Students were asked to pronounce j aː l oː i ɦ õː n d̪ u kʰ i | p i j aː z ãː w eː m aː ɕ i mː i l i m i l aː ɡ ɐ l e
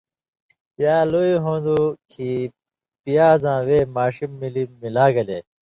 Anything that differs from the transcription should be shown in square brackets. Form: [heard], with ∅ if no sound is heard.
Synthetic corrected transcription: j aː l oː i ɦ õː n d̪ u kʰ i | p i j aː z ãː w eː m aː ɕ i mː i l i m i l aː ɡ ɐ l e